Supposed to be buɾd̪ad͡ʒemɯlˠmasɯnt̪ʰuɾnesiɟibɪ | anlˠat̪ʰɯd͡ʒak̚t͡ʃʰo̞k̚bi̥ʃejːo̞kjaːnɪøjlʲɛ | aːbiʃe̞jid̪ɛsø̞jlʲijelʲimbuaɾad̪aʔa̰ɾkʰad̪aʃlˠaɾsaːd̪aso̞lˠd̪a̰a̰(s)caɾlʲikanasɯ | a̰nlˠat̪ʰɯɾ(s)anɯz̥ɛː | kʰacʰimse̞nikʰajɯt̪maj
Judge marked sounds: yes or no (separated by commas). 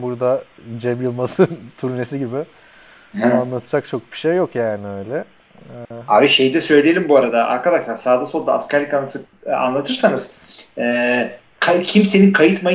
yes, yes